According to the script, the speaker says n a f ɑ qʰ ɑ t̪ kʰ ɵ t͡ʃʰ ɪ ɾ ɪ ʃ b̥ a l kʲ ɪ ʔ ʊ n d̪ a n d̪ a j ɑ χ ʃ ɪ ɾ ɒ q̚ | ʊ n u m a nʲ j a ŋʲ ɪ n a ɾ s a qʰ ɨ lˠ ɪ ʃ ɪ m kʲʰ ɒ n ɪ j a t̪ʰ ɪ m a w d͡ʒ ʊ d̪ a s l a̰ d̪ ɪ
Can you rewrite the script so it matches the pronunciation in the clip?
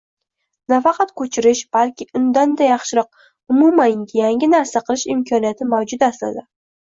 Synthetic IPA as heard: n a f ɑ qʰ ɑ t̪ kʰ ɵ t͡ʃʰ ɪ ɾ ɪ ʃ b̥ a l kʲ ɪ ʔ ʊ n d̪ a n d̪ a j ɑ χ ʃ ɪ ɾ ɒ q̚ | ʊ m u m a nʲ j a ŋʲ ɪ n a ɾ s a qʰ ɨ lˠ ɪ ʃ ɪ m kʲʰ ɒ n i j a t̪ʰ ɪ m a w d͡ʒ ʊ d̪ a s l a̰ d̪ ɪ